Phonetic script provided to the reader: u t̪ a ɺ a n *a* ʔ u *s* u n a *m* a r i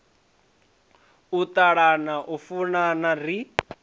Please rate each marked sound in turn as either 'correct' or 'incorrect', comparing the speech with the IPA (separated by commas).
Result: correct, incorrect, incorrect